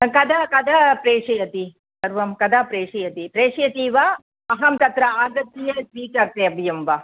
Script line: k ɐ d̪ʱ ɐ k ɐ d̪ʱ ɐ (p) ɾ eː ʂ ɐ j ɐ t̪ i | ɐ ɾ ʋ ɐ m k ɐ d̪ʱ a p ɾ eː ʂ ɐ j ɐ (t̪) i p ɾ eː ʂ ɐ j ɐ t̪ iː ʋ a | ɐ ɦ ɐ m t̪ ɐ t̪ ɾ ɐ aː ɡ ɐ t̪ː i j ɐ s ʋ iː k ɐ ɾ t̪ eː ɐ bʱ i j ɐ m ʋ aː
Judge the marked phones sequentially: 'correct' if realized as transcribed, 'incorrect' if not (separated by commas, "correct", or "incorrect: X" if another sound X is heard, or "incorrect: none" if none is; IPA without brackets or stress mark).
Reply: correct, correct